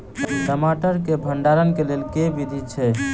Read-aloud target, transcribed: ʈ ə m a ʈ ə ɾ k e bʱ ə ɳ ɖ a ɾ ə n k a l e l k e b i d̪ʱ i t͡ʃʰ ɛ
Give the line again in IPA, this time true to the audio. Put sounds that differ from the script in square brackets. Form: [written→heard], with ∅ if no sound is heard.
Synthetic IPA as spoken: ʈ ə m a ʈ ə ɾ k e bʱ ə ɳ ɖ a ɾ ə n k [a→e] l e l k e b i d̪ʱ i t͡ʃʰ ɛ